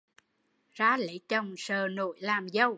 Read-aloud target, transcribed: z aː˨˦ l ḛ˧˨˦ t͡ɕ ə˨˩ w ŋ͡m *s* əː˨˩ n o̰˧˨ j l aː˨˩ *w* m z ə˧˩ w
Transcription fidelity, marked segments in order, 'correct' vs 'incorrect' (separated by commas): correct, incorrect